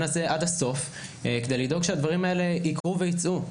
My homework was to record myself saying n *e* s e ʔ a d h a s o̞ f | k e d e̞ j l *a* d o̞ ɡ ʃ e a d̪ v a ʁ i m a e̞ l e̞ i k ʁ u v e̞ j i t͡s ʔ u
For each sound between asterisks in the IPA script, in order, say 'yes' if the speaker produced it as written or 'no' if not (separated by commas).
no, no